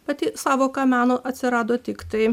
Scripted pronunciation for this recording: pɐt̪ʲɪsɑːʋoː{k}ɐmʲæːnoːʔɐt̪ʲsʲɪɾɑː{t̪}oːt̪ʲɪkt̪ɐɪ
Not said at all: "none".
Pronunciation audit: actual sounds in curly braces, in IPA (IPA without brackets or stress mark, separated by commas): k, d̪